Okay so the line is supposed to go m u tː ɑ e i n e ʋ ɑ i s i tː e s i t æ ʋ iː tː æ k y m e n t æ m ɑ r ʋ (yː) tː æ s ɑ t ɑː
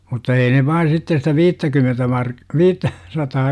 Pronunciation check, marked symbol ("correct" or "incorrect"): incorrect